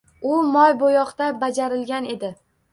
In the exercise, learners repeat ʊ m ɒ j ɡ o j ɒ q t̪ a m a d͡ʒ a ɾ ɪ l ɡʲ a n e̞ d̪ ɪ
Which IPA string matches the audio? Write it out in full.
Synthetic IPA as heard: ʊ m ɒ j b o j ɒ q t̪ a b a d͡ʒ a ɾ ɪ l ɡʲ a n e̞ d̪ ɪ